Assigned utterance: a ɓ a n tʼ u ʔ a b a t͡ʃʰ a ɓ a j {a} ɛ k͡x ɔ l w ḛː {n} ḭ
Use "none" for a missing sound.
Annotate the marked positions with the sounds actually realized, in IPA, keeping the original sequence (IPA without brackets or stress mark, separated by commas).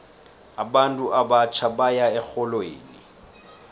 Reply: a, n